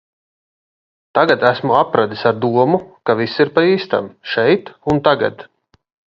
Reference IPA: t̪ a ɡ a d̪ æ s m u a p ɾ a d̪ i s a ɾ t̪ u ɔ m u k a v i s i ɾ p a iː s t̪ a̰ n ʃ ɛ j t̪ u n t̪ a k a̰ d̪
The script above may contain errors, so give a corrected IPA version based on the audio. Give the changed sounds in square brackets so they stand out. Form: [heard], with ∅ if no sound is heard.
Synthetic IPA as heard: t̪ a ɡ a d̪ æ s m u a p ɾ a d̪ i s a ɾ [d̪] u ɔ m u k a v i s i ɾ p a iː s t̪ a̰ [m] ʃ ɛ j t̪ u n t̪ a [ɡ] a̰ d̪